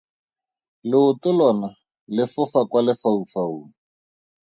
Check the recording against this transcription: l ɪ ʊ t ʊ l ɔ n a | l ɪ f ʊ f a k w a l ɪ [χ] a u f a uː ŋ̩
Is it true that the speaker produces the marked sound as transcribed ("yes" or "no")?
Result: no